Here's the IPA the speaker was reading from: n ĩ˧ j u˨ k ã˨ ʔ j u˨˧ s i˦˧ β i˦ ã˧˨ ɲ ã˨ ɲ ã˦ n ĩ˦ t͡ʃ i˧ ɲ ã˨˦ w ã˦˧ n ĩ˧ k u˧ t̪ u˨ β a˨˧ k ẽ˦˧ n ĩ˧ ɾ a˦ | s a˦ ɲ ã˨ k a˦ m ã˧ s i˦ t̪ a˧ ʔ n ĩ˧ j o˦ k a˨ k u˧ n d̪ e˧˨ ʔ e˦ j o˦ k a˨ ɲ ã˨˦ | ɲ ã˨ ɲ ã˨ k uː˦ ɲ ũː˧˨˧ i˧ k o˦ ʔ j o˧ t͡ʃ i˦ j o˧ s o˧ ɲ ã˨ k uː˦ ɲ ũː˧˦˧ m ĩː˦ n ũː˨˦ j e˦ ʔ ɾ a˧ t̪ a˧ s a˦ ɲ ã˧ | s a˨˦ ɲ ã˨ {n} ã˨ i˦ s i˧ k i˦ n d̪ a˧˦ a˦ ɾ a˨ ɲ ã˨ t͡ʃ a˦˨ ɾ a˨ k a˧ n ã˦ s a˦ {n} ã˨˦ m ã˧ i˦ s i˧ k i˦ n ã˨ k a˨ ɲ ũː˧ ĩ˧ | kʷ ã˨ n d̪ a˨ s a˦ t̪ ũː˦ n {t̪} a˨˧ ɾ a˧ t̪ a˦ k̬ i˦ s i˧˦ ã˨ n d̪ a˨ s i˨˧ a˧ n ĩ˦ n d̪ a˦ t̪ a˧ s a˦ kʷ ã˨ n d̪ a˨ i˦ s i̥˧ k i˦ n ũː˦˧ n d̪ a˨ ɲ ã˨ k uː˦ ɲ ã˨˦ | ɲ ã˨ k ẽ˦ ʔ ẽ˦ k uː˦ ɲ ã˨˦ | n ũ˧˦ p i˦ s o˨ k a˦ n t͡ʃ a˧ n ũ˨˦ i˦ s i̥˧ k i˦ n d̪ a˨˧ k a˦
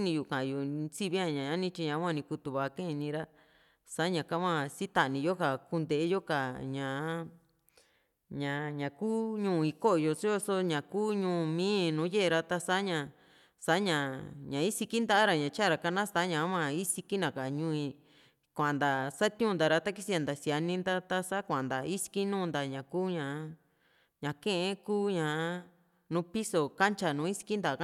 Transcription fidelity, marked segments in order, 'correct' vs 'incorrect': incorrect: ɲ, incorrect: ɲ, incorrect: d̪

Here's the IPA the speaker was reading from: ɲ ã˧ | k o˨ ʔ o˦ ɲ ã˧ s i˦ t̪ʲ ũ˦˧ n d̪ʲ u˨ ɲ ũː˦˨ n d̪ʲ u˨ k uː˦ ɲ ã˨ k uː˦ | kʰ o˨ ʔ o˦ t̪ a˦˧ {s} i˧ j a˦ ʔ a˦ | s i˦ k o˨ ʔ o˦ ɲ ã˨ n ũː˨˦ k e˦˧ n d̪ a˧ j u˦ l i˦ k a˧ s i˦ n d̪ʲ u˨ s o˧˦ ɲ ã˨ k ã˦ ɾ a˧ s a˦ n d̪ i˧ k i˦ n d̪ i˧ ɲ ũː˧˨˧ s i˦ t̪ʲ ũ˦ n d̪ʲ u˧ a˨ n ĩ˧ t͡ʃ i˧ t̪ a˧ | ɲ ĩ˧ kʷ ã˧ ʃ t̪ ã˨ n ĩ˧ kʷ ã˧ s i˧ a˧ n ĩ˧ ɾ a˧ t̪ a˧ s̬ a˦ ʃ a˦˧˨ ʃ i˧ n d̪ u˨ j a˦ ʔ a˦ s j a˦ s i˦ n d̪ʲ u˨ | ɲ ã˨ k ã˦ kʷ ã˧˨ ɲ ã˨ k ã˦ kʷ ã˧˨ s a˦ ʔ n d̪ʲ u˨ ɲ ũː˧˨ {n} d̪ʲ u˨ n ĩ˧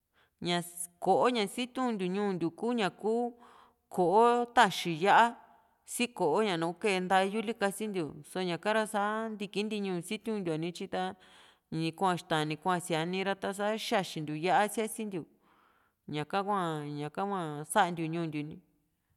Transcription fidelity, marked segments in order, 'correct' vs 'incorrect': incorrect: ʃ, correct

